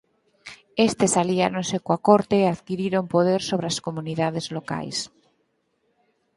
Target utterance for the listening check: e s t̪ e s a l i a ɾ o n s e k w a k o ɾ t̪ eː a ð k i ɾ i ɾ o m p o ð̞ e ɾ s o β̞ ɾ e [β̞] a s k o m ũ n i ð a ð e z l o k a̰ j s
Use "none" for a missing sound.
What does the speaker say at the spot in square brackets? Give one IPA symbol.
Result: none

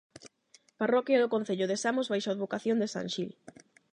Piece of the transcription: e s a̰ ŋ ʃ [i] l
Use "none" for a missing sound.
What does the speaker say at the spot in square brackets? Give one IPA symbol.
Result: i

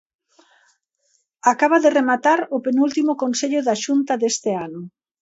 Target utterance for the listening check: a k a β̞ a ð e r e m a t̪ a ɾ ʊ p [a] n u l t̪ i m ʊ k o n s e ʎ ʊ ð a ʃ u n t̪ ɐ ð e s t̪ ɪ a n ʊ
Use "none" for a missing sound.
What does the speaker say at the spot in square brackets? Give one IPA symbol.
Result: e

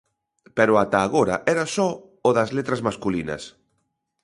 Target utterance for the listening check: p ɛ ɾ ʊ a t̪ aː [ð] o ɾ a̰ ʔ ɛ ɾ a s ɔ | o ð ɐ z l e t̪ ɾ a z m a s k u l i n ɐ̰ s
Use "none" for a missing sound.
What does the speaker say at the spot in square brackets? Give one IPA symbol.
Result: ɣ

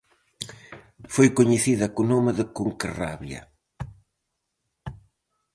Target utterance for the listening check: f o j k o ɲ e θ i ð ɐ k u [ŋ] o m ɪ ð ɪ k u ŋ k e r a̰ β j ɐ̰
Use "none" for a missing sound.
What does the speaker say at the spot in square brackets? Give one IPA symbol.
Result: n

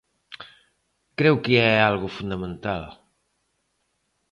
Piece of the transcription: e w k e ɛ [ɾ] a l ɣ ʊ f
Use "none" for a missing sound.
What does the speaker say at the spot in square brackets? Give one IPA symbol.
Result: none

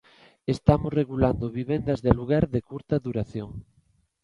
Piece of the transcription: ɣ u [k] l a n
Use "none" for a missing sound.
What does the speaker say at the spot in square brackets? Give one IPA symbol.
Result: none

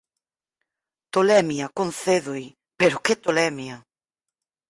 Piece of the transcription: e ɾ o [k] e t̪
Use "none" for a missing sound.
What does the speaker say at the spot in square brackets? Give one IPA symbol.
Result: k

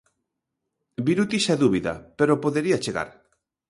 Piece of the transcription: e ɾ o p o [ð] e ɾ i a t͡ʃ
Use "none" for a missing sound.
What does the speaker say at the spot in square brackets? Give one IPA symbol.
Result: ð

